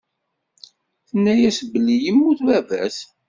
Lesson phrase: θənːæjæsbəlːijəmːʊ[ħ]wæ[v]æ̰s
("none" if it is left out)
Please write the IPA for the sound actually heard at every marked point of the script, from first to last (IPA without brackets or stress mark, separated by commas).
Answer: θ, v